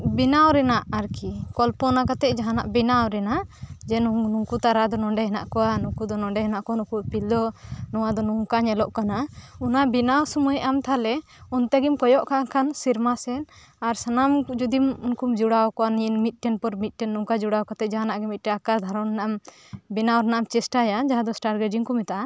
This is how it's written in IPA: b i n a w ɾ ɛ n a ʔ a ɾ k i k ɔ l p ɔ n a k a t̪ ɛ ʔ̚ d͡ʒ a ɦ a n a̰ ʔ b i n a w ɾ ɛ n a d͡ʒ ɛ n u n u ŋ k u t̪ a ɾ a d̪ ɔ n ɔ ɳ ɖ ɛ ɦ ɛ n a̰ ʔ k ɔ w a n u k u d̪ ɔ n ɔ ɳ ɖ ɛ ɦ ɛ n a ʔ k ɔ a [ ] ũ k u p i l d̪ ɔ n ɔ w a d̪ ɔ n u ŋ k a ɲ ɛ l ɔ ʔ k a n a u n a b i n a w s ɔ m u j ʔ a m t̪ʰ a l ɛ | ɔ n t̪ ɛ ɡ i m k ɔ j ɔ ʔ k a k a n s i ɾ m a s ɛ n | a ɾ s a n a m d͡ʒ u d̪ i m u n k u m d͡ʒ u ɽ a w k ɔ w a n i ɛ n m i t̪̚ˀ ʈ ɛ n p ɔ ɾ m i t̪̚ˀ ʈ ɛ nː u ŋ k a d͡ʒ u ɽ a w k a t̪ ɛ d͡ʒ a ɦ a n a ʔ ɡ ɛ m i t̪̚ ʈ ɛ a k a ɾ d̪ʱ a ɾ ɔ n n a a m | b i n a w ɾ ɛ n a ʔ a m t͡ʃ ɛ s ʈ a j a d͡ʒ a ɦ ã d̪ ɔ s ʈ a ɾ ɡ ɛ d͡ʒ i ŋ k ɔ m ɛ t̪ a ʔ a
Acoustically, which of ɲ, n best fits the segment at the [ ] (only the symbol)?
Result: n